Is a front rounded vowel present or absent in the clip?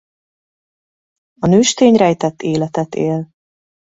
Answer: present